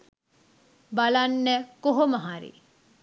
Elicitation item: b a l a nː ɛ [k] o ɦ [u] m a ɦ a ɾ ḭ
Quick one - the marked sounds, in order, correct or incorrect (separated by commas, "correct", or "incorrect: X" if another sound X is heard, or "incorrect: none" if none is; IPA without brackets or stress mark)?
correct, incorrect: o